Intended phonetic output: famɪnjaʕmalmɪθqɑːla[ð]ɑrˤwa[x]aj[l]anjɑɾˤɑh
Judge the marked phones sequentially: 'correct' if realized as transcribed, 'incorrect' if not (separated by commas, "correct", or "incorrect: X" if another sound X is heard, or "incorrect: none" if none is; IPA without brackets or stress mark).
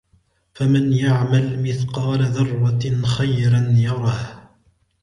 correct, correct, incorrect: ɾ